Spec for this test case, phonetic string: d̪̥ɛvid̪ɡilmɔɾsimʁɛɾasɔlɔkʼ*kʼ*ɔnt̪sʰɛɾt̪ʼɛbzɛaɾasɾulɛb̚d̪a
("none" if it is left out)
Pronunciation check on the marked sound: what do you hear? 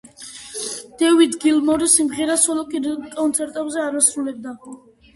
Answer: kʼ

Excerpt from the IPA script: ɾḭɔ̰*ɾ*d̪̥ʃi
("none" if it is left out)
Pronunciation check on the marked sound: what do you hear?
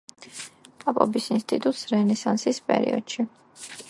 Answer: none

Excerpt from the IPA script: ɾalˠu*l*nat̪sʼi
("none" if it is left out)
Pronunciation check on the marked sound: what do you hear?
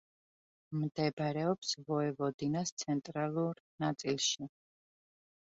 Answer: ɾ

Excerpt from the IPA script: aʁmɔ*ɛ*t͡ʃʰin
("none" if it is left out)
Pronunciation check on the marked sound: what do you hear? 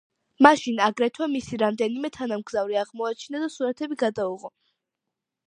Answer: a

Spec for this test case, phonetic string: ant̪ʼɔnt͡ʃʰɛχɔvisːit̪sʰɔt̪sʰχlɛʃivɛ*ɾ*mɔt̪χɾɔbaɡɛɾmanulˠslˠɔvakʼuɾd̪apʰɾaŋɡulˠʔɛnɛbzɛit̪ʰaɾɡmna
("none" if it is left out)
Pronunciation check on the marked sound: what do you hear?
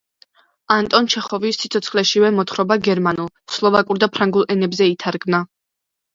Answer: none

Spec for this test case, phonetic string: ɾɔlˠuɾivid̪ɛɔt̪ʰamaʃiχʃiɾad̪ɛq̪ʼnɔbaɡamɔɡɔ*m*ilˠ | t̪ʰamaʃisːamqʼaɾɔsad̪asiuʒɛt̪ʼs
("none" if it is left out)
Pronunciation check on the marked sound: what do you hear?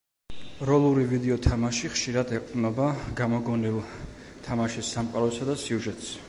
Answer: n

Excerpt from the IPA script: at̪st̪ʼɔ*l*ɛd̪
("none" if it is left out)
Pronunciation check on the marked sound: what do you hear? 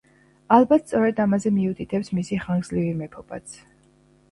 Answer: ɾ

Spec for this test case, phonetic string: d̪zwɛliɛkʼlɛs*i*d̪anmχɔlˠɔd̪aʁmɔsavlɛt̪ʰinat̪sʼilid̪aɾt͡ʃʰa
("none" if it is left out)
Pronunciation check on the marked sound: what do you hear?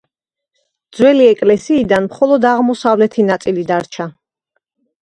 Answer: iː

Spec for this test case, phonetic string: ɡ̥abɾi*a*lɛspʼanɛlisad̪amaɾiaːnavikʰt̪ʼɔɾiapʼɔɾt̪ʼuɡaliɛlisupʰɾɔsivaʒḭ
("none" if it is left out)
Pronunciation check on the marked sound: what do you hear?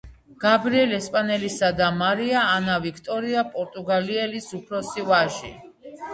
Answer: ɛ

